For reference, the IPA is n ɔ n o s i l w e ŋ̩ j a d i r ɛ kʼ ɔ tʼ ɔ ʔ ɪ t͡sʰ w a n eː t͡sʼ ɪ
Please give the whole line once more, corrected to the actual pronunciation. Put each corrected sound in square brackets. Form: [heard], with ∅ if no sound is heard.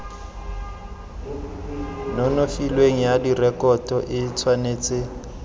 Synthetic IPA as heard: n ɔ n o [f] i l w e ŋ̩ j a d i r ɛ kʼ ɔ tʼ ɔ ʔ ɪ t͡sʰ w a n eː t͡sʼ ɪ